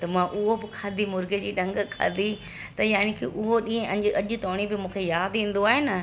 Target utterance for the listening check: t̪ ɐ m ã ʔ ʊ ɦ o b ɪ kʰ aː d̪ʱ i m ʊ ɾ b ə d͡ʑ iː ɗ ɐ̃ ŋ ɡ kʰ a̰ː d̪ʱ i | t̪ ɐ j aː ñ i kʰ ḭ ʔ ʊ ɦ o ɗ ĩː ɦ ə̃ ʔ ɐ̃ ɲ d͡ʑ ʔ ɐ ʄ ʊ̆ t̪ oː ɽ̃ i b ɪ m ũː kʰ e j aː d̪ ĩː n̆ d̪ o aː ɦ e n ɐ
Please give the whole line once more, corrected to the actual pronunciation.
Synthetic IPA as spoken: t̪ ɐ m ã ʔ ʊ ɦ o b ɪ kʰ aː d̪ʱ i m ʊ ɾ ɡ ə d͡ʑ iː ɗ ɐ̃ ŋ ɡ kʰ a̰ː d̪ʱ i | t̪ ɐ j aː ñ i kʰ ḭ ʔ ʊ ɦ o ɗ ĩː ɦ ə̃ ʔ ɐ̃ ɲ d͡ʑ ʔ ɐ ʄ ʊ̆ t̪ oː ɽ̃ i b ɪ m ũː kʰ e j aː d̪ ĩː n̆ d̪ o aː ɦ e n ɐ